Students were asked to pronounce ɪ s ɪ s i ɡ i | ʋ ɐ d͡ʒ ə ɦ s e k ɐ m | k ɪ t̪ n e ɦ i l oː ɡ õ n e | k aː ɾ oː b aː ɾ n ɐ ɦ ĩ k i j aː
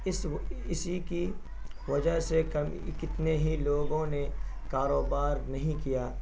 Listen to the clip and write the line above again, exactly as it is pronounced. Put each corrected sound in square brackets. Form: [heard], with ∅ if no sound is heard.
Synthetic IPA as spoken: ɪ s ɪ s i [k] i | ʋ ɐ d͡ʒ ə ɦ s e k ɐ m | k ɪ t̪ n e ɦ i l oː ɡ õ n e | k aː ɾ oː b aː ɾ n ɐ ɦ ĩ k i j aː